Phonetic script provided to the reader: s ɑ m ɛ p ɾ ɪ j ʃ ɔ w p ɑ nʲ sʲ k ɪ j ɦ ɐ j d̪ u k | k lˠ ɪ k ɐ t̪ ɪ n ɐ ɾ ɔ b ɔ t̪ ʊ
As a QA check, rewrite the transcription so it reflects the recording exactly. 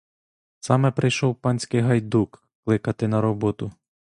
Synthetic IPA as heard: s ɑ m ɛ p ɾ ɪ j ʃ ɔ w p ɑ nʲ sʲ k ɪ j ɦ ɐ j d̪ u k | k lˠ ɪ k ɐ t̪ ɪ n ɐ ɾ ɔ b ɔ t̪ ʊ